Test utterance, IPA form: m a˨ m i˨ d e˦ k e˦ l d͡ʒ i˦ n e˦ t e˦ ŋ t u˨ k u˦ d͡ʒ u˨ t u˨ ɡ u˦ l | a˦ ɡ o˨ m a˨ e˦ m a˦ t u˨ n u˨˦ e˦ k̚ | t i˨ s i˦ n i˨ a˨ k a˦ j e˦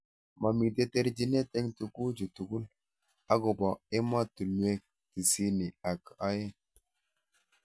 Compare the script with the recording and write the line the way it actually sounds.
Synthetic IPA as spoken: m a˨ m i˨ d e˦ t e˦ ɾ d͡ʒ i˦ n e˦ t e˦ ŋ t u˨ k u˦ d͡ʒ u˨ t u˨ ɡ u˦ l | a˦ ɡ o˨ b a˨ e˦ m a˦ t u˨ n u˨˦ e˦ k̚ | t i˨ s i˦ n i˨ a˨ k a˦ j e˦